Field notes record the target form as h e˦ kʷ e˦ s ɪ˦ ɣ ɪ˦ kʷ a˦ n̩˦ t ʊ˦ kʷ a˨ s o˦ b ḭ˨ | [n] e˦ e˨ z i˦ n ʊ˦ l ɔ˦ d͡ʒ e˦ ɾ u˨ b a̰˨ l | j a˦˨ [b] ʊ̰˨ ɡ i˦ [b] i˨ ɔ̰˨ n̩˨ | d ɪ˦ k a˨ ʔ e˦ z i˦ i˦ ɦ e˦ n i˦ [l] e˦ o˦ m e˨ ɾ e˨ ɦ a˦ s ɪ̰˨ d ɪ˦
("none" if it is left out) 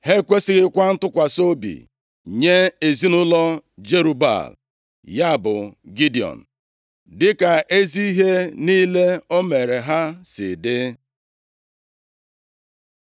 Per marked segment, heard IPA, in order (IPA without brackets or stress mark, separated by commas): ɲ, b, d, l